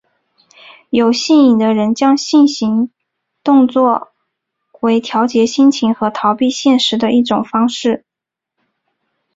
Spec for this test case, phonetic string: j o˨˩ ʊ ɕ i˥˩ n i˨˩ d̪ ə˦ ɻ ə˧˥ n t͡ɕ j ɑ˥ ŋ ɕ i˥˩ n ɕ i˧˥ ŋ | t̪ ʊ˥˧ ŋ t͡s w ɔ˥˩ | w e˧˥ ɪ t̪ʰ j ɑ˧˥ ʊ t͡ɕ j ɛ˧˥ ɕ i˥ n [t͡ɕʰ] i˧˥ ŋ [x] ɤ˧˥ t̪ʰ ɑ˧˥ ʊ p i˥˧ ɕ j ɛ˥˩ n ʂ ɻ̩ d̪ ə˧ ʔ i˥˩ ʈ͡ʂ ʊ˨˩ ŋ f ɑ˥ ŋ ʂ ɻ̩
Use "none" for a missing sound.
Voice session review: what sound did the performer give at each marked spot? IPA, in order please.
t͡ɕʰ, x

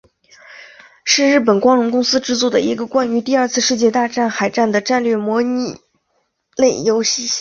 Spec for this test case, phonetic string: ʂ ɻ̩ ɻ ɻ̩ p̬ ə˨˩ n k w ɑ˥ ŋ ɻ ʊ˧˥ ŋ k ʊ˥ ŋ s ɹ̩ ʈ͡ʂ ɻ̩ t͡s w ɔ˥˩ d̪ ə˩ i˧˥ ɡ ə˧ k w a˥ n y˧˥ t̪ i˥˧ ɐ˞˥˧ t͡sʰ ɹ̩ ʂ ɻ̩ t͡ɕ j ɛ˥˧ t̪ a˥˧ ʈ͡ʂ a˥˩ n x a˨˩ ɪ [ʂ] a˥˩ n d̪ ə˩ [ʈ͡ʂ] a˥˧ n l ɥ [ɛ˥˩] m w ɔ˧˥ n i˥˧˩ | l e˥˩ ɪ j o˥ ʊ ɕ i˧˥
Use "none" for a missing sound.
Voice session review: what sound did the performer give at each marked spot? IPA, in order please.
ʈ͡ʂ, ʈ͡ʂ, ɛ˥˩

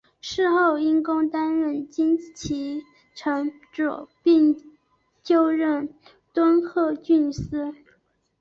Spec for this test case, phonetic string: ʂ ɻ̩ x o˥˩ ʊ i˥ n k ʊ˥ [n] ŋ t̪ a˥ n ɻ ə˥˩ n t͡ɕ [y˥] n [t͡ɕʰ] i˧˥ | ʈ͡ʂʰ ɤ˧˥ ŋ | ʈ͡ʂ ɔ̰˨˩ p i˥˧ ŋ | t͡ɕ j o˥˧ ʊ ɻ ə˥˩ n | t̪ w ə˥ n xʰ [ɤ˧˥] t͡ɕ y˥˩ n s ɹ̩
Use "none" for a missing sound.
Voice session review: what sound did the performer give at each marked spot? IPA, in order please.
none, i˥, t͡ɕʰ, ɤ˥˧

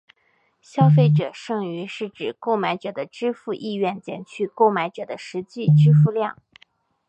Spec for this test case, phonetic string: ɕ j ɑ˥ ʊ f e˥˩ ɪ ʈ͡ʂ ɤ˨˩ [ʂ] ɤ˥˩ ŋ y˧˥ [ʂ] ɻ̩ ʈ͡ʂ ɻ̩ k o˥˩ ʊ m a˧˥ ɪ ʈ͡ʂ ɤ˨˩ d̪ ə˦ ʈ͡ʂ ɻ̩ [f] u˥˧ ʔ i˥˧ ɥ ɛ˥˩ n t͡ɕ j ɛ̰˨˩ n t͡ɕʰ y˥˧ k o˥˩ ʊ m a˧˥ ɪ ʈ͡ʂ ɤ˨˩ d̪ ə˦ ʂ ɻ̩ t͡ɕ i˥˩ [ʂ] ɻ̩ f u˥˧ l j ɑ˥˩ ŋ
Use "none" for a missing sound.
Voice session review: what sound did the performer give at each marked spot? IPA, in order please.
ʂ, ʂ, f, ʈ͡ʂ

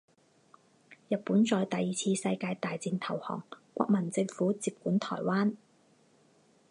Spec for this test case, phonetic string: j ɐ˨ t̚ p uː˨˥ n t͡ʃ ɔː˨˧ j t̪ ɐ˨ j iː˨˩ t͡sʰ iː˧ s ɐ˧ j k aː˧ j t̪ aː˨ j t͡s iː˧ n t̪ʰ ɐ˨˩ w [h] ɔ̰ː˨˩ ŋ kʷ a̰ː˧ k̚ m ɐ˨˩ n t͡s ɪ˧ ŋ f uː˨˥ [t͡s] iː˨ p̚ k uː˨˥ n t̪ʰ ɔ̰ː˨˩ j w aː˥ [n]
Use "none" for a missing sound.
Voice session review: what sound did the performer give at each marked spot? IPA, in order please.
h, t͡s, n

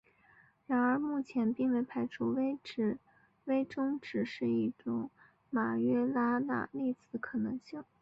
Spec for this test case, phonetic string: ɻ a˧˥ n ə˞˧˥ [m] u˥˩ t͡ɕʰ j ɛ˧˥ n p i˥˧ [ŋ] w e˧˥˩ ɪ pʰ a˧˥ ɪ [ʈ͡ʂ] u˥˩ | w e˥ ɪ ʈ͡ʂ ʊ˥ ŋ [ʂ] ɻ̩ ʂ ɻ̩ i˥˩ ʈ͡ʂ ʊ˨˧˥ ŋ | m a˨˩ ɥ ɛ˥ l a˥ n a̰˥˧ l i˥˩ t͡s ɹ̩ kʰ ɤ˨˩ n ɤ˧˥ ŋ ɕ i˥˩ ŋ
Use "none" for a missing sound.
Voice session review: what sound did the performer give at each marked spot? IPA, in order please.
m, ŋ, ʈ͡ʂʰ, ʈ͡ʂ

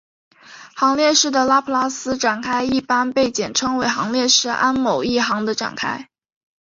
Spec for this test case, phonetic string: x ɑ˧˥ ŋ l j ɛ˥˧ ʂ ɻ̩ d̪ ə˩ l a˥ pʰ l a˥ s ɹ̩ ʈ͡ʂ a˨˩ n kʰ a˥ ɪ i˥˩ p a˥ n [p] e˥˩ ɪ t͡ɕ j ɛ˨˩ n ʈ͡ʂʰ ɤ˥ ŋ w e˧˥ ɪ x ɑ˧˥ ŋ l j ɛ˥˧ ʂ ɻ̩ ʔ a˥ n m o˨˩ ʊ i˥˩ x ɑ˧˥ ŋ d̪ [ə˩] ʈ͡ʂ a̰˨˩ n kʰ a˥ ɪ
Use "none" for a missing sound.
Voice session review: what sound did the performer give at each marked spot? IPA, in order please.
p, ə˧

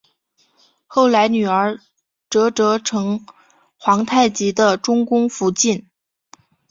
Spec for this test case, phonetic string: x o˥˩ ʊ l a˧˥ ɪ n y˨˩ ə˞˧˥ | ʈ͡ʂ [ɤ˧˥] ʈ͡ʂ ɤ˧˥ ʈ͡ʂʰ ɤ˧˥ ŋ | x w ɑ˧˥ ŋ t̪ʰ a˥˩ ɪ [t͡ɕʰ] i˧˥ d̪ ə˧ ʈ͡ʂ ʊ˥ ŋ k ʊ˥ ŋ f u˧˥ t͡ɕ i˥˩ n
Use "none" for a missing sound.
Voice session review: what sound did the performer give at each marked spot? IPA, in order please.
ɤ˧˥, t͡ɕ

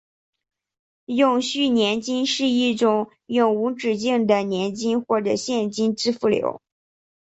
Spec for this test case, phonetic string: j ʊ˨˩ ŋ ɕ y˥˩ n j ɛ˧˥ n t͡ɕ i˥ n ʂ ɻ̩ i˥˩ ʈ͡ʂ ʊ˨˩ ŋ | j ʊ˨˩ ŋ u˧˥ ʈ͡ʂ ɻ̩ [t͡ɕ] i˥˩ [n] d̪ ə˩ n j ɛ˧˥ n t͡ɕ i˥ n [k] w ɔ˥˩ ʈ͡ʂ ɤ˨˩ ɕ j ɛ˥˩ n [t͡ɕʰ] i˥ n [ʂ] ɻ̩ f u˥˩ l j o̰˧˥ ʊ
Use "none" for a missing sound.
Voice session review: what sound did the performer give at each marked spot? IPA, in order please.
t͡ɕ, ŋ, x, t͡ɕ, ʈ͡ʂ

